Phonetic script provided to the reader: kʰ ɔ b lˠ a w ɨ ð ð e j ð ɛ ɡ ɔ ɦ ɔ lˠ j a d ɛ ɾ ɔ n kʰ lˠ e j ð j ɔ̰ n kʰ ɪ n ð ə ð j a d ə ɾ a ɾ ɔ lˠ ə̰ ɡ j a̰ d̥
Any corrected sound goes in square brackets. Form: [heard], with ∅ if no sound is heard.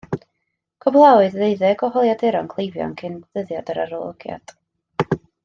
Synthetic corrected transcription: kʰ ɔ b lˠ a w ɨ ð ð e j ð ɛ ɡ ɔ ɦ ɔ lˠ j a d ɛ ɾ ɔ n kʰ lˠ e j [v] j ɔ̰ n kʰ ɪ n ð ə ð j a d ə ɾ a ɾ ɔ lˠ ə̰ ɡ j a̰ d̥

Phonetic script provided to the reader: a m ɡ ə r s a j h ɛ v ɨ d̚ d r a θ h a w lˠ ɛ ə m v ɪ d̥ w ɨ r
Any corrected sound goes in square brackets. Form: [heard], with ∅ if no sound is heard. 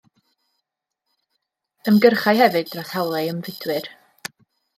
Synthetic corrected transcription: [ə] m ɡ ə r [χ] a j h ɛ v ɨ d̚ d r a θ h a w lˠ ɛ ə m v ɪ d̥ w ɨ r

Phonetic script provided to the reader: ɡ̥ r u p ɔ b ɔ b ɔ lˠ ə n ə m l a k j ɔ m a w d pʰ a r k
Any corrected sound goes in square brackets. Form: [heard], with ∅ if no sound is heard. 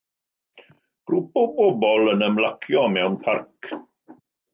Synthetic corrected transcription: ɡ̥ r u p ɔ b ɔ b ɔ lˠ ə n ə m l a [kʰ] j ɔ m [ɛ] w [n] pʰ a r k

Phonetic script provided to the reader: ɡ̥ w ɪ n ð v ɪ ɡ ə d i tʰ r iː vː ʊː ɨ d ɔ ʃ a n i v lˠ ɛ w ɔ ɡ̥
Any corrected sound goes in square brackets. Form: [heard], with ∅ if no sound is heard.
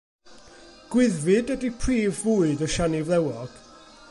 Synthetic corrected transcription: ɡ̥ w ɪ [∅] ð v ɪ [d] ə d i [pʰ] r iː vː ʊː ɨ d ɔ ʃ a n i v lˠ ɛ w ɔ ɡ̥

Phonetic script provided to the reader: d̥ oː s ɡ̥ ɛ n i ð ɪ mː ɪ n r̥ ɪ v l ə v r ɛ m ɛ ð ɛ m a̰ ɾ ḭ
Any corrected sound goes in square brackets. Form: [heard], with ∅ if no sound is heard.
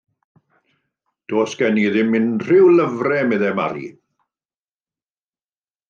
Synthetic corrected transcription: d̥ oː s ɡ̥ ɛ n i ð ɪ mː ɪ n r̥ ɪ [w] l ə v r ɛ m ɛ ð ɛ m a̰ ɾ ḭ

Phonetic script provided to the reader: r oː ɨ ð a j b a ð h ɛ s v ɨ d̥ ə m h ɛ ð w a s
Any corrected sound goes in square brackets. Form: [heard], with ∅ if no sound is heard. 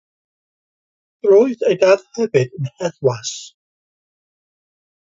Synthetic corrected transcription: r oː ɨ ð [e] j [d] a ð h ɛ [∅] v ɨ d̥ ə [n] h ɛ ð w a s

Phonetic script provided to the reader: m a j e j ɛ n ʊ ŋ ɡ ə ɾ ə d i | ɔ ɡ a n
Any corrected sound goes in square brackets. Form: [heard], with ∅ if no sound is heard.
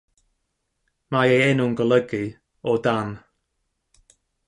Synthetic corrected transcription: m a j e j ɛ n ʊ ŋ ɡ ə [l] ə [ɡ] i | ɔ [d] a n

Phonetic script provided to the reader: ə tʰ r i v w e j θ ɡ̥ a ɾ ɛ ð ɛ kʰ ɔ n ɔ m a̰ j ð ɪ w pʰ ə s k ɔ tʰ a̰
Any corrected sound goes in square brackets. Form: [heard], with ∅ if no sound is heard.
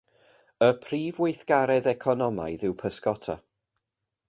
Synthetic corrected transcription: ə [pʰ] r [iː] v w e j θ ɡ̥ a ɾ ɛ ð ɛ kʰ ɔ n ɔ m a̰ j ð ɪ w pʰ ə s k ɔ tʰ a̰

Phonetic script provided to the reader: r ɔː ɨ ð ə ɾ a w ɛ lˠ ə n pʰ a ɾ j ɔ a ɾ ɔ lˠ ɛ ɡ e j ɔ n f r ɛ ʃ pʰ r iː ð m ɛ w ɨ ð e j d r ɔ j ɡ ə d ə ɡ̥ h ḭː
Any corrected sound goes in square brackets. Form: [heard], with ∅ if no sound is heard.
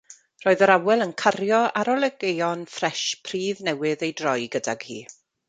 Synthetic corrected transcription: r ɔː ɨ ð ə ɾ a w ɛ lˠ ə n [kʰ] a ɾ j ɔ a ɾ ɔ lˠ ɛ ɡ e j ɔ n f r ɛ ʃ pʰ r iː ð [n] ɛ w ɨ ð e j d r ɔ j ɡ ə d [a] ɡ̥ h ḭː

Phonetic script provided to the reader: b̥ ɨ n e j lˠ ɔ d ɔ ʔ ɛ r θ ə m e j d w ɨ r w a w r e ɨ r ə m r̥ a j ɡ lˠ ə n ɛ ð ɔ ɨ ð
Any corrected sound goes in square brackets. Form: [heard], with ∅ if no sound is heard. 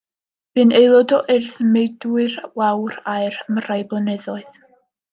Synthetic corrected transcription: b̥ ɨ n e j lˠ ɔ d ɔ ʔ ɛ r θ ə m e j d w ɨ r w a w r [a] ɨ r ə m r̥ a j [b] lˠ ə n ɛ ð ɔ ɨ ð

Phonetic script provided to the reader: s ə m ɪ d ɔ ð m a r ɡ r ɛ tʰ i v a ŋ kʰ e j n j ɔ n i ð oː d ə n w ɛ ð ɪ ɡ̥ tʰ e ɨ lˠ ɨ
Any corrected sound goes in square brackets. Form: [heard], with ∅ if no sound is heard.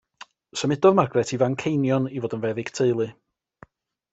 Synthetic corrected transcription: s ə m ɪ d ɔ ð m a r ɡ r ɛ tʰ i v a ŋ kʰ e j n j ɔ n i [v] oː d ə n [v] ɛ ð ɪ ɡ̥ tʰ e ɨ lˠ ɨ

